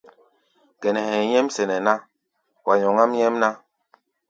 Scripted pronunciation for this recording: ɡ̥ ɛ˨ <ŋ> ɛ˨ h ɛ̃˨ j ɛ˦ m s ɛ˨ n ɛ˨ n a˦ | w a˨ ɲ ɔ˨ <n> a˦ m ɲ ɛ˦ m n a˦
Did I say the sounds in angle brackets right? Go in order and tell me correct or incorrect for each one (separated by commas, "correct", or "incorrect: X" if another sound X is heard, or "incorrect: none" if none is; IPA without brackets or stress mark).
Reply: incorrect: n, incorrect: ŋ